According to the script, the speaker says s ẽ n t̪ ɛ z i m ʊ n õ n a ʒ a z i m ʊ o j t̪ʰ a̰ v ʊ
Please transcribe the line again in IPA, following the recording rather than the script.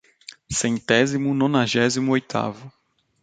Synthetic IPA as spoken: s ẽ n t̪ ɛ z i m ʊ n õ n a ʒ ɛ z i m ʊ o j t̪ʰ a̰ v ʊ